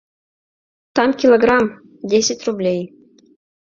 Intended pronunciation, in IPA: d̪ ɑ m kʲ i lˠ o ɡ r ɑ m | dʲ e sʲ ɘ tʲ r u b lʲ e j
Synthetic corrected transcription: t̪ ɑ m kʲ i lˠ o ɡ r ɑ m | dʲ e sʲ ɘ tʲ r u b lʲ e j